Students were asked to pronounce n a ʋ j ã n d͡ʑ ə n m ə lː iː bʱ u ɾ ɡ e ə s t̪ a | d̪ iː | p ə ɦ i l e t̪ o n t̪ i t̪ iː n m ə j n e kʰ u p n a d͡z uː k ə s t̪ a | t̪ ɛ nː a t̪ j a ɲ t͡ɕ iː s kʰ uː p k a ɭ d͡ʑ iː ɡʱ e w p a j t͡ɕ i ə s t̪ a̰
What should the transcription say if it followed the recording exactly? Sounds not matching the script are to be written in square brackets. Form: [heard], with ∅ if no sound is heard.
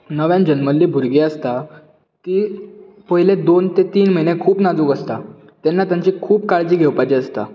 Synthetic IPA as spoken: n [ə] ʋ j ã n d͡ʑ ə n m ə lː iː bʱ u ɾ ɡ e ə s t̪ a | [t̪] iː | p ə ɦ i l e [d̪] o n t̪ [e] t̪ iː n m ə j n e kʰ [uː] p n a d͡z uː k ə s t̪ a | t̪ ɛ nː a t̪ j a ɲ t͡ɕ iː [∅] kʰ uː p k a ɭ d͡ʑ iː ɡʱ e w p a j t͡ɕ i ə s t̪ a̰